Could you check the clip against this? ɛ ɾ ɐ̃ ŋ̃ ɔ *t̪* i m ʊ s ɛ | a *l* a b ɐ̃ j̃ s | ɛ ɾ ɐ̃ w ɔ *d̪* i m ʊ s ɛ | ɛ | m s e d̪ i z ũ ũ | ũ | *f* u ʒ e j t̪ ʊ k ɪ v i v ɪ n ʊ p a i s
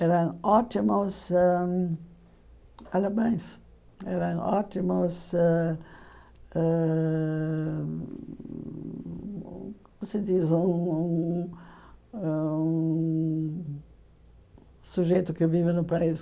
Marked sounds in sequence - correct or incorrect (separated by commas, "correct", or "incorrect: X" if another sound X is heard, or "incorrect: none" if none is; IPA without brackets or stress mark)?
correct, correct, incorrect: t̪, incorrect: s